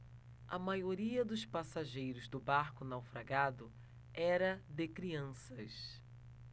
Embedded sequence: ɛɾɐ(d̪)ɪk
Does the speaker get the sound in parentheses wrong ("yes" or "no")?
no